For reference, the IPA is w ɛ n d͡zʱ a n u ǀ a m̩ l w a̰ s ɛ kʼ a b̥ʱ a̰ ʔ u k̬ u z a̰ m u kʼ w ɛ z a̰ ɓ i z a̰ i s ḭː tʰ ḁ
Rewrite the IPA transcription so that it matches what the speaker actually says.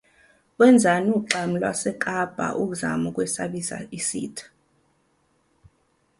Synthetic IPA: w ɛ n d͡zʱ a n u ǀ a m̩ l w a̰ s ɛ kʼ a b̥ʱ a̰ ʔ u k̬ u z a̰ m u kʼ w ɛ s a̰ ɓ i s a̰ i s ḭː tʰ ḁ